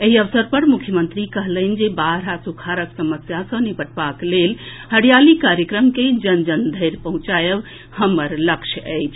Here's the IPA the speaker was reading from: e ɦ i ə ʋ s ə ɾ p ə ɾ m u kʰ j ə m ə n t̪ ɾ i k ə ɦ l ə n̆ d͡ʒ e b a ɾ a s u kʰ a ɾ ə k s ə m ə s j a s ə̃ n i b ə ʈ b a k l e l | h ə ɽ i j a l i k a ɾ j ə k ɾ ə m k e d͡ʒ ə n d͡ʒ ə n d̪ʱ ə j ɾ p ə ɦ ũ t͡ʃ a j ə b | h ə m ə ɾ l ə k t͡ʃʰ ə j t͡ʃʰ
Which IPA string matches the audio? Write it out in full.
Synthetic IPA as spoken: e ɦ i ə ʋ s ə ɾ p ə ɾ m u kʰ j ə m ə n t̪ ɾ i k ə ɦ l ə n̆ d͡ʒ e b a ɾ a s u kʰ a ɾ ə k s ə m ə s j a s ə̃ n i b ə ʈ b a k l e l | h ə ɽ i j a l i k a ɾ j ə k ɾ ə m k e d͡ʒ ə n d͡ʒ ə n d̪ʱ ə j ɾ p ə ɦ ũ t͡ʃ a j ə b | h ə m ə ɾ l ə k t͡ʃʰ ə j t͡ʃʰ

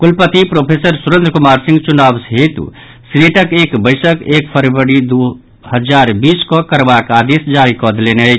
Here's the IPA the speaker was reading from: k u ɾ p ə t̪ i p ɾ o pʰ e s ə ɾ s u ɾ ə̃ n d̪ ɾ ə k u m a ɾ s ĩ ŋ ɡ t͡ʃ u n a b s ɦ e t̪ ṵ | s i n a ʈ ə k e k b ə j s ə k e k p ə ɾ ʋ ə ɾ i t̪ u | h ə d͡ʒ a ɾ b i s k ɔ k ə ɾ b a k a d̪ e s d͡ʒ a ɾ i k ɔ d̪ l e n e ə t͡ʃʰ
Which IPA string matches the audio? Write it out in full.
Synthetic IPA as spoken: k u l p ə t̪ i p ɾ o pʰ e s ə ɾ s u ɾ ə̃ n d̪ ɾ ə k u m a ɾ s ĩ ŋ ɡ t͡ʃ u n a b s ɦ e t̪ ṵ | s i n e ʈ ə k e k b ə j s ə k e k pʰ ə ɾ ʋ ə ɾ i d̪ u | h ə d͡ʒ a ɾ b i s k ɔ k ə ɾ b a k a d̪ e s d͡ʒ a ɾ i k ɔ d̪ l e n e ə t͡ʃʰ

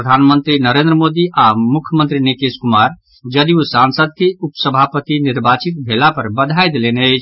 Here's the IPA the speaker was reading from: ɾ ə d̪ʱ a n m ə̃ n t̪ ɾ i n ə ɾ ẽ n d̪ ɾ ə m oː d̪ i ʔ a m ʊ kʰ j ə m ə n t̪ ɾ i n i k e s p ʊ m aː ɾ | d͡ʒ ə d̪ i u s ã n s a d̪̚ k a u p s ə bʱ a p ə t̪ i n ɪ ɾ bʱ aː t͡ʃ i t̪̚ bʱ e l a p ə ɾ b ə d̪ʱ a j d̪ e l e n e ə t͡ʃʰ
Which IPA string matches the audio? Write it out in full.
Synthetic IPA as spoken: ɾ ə d̪ʱ a n m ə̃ n t̪ ɾ i n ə ɾ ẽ n d̪ ɾ ə m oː d̪ i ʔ a m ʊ kʰ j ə m ə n t̪ ɾ i n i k e s k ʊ m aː ɾ | d͡ʒ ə d̪ i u s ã n s ə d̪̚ k e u p s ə bʱ a p ə t̪ i n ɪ ɾ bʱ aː t͡ʃ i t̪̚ bʱ e l a p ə ɾ b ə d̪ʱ a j d̪ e l e n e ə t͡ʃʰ

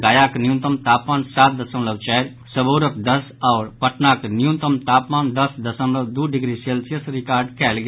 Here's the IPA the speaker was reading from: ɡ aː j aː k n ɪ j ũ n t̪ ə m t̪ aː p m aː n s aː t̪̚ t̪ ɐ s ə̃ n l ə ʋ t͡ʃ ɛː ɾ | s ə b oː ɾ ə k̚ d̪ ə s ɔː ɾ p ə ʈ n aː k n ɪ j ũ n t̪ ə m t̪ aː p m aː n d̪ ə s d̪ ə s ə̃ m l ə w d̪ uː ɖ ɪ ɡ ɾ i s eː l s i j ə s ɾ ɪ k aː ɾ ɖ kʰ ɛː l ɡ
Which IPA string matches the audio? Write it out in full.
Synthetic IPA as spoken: ɡ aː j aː k n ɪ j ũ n t̪ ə m t̪ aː p m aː n s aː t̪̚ d̪ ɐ s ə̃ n l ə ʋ t͡ʃ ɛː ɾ | s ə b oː ɾ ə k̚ d̪ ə s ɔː ɾ p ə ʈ n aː k n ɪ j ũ n t̪ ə m t̪ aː p m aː n d̪ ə s d̪ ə s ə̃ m l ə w d̪ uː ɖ ɪ ɡ ɾ i s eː l s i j ə s ɾ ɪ k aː ɾ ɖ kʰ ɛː l ɡ

